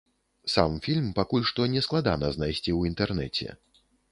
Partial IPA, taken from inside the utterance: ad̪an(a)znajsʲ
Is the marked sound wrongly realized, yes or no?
yes